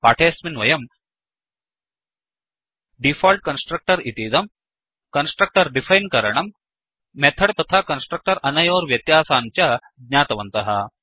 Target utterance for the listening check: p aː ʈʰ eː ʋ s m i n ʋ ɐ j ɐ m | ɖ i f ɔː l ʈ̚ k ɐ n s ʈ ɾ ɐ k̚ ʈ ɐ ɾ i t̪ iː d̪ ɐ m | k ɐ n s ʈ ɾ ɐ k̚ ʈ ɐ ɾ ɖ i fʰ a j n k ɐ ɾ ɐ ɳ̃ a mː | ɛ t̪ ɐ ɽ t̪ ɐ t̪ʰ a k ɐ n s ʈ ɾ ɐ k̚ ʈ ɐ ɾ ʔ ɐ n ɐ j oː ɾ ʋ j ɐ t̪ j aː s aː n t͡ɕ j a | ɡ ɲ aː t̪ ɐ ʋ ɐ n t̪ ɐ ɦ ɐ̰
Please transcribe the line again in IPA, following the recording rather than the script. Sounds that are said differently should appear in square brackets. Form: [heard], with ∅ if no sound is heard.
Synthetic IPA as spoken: p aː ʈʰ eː [∅] s m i n ʋ ɐ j ɐ m | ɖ i f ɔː l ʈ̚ k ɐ n s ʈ ɾ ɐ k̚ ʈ ɐ ɾ i t̪ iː d̪ ɐ m | k ɐ n s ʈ ɾ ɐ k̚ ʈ ɐ ɾ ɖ i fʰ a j n k ɐ ɾ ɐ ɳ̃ [ɐ] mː | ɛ [t̪ʰ] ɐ ɽ t̪ ɐ t̪ʰ a k ɐ n s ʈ ɾ ɐ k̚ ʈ ɐ ɾ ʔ ɐ n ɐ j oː ɾ ʋ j ɐ t̪ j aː s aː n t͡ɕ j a | ɡ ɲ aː t̪ ɐ ʋ ɐ n t̪ ɐ ɦ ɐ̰

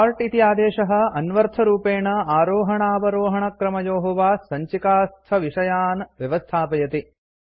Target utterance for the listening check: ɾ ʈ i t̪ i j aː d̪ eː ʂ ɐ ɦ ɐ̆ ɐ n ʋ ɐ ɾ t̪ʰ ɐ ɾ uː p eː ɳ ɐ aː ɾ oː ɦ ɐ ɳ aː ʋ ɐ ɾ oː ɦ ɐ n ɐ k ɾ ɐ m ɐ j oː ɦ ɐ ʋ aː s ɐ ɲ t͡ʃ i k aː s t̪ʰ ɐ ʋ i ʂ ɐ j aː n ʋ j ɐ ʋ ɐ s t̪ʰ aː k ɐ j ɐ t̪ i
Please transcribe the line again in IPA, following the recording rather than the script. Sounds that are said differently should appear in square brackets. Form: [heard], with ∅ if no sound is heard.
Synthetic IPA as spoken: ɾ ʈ i t̪ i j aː d̪ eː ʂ ɐ ɦ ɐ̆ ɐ n ʋ ɐ ɾ t̪ʰ ɐ ɾ uː p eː ɳ ɐ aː ɾ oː ɦ ɐ ɳ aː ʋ ɐ ɾ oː ɦ ɐ [ɳ] ɐ k ɾ ɐ m ɐ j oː ɦ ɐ ʋ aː s ɐ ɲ t͡ʃ i k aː s t̪ʰ ɐ ʋ i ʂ ɐ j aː n ʋ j ɐ ʋ ɐ s t̪ʰ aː [p] ɐ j ɐ t̪ i

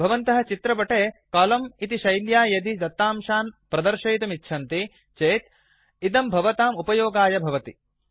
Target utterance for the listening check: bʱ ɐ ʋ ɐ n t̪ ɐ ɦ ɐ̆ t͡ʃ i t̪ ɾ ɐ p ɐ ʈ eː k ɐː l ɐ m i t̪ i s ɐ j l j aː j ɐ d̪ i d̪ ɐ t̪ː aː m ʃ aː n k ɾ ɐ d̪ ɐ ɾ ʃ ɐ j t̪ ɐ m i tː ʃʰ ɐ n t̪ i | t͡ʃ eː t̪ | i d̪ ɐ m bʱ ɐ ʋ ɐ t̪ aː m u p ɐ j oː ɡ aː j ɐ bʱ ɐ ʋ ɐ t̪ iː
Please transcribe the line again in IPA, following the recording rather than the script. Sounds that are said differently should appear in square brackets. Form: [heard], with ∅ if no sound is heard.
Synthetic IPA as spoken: bʱ ɐ ʋ ɐ n t̪ ɐ ɦ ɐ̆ t͡ʃ i t̪ ɾ ɐ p ɐ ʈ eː k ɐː l ɐ m i t̪ i [ʃ] ɐ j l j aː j ɐ d̪ i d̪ ɐ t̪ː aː m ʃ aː n [p] ɾ ɐ d̪ ɐ ɾ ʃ ɐ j t̪ ɐ m i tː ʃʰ ɐ n t̪ i | t͡ʃ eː t̪ | i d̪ ɐ m bʱ ɐ ʋ ɐ t̪ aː m u p ɐ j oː ɡ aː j ɐ bʱ ɐ ʋ ɐ t̪ [i]

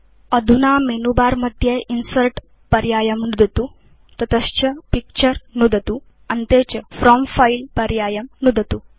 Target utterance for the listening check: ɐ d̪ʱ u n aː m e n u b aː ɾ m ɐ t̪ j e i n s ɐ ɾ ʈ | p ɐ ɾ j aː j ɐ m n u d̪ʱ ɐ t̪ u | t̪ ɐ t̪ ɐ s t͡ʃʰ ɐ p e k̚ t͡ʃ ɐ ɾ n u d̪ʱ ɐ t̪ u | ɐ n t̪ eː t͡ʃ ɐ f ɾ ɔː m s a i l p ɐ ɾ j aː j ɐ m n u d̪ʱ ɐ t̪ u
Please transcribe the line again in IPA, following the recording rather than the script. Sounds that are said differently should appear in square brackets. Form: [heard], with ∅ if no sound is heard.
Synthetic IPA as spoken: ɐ d̪ʱ u n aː m e n u b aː ɾ m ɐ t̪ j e i n s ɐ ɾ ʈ | p ɐ ɾ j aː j ɐ m n u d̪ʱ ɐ t̪ u | t̪ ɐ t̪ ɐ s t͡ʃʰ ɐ p [i] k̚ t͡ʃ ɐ ɾ n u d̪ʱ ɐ t̪ u | ɐ n t̪ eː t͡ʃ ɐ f ɾ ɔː m [f] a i l p ɐ ɾ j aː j ɐ m n u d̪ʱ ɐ t̪ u

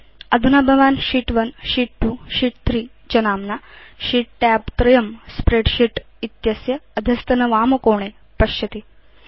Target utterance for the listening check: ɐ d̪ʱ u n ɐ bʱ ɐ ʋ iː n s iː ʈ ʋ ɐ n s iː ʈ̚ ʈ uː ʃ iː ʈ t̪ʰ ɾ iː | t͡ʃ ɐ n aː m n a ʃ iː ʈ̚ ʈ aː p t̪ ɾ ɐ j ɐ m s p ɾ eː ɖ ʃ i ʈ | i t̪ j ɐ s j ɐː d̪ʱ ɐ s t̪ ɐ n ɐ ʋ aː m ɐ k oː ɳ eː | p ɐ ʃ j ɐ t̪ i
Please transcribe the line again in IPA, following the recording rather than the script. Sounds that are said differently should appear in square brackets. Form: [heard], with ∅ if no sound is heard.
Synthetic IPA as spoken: ɐ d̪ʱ u n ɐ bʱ ɐ ʋ [aː] n [ʃ] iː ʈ ʋ ɐ n [ʃ] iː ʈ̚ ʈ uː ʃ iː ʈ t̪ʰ ɾ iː | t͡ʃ ɐ n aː m n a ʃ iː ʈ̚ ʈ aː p t̪ ɾ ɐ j ɐ m s p ɾ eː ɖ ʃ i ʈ | i t̪ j ɐ s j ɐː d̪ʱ ɐ s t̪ ɐ n ɐ ʋ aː m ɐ k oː ɳ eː | p ɐ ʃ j ɐ t̪ i

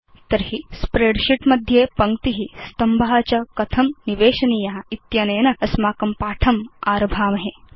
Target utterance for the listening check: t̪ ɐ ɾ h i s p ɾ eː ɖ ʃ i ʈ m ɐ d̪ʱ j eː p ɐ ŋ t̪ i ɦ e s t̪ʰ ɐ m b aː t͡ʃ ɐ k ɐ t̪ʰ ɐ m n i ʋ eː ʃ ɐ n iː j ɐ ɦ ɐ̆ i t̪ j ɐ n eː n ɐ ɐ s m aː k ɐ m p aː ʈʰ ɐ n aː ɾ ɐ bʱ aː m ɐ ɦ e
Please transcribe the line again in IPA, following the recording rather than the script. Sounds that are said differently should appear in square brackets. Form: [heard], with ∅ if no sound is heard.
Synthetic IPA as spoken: t̪ ɐ ɾ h i s p ɾ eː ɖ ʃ i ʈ m ɐ d̪ʱ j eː p ɐ ŋ t̪ i ɦ [i] s [t̪] ɐ m b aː t͡ʃ ɐ k ɐ t̪ʰ ɐ m n i ʋ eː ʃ ɐ n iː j ɐ ɦ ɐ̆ i t̪ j ɐ n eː n ɐ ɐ s m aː k ɐ m p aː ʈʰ ɐ [m] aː ɾ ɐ bʱ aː m ɐ ɦ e

